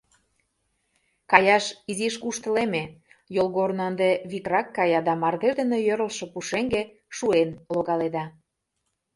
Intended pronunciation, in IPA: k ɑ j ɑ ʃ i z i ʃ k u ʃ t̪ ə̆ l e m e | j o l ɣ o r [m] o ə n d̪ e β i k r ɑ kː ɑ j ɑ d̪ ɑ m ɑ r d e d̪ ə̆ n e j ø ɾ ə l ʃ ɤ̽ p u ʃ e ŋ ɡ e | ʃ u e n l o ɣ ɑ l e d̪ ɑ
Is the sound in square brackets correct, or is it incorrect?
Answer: incorrect: n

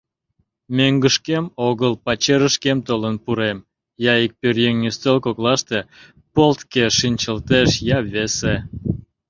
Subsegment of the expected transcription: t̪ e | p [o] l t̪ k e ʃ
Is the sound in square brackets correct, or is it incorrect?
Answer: correct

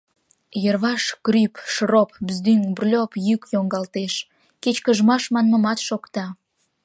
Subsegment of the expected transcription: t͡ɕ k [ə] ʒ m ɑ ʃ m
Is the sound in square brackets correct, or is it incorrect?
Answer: correct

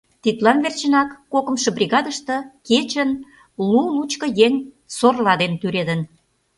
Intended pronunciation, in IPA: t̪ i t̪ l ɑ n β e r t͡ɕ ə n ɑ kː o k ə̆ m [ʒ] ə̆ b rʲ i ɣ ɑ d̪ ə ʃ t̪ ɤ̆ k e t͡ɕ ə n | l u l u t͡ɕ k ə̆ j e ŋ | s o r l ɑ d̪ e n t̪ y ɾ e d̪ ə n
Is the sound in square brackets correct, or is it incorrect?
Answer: incorrect: ʃ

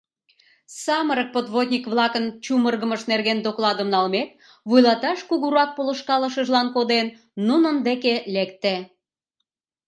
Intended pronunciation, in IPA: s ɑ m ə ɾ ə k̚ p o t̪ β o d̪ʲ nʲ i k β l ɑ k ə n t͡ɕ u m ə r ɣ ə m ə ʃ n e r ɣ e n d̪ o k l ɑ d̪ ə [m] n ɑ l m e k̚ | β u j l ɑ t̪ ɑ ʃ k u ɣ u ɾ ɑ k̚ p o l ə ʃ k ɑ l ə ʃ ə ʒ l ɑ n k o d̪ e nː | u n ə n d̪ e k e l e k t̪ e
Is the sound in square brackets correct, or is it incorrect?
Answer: correct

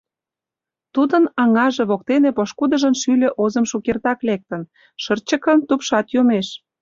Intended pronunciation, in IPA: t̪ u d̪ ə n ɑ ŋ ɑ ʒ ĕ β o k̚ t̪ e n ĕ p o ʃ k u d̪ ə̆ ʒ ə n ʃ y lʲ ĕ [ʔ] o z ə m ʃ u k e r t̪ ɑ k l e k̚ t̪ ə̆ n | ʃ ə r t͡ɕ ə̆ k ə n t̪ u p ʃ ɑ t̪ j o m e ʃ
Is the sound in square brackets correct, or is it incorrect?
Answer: correct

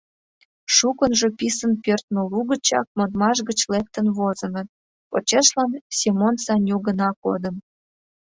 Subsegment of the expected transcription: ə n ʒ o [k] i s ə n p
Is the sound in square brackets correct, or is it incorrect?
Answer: incorrect: p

